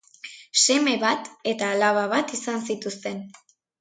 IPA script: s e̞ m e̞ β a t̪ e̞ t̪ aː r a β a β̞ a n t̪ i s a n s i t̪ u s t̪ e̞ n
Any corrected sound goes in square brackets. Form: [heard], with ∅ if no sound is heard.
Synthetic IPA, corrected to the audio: s e̞ m e̞ β a t̪ e̞ t̪ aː [l] a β a β̞ a [∅] t̪ i s a n s i t̪ u s t̪ e̞ n